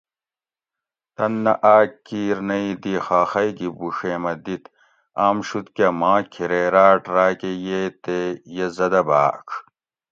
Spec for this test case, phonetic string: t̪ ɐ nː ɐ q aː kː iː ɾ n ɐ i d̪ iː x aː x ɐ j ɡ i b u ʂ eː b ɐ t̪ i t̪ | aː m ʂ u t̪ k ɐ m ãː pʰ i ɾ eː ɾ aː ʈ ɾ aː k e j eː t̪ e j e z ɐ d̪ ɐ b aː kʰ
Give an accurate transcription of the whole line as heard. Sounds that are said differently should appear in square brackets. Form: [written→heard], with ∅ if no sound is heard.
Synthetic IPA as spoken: t̪ ɐ nː ɐ [q→ʔ] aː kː iː ɾ n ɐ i d̪ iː x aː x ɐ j ɡ i b u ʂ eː [b→m] ɐ [t̪→d̪] i t̪ | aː m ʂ u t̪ k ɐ m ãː [pʰ→kʰ] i ɾ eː ɾ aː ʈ ɾ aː k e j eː t̪ e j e z ɐ d̪ ɐ b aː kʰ